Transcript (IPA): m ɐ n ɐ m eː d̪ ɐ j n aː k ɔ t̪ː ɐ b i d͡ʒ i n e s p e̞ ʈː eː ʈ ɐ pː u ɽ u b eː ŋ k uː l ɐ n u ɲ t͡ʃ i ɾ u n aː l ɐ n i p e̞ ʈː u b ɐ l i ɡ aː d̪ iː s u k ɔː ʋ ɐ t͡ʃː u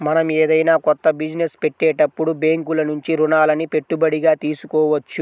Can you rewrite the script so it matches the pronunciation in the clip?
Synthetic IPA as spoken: m ɐ n ɐ m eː d̪ ɐ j n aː k ɔ t̪ː ɐ b i d͡ʒ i n e s p e̞ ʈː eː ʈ ɐ pː u ɽ u b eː ŋ k u l ɐ n u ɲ t͡ʃ i ɾ u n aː l ɐ n i p e̞ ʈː u b ɐ ɽ i ɡ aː t̪ iː s u k ɔː ʋ ɐ t͡ʃː u